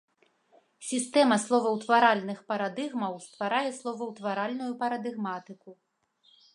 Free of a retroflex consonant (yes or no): yes